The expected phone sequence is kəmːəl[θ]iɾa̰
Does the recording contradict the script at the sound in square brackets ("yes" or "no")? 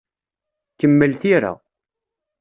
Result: no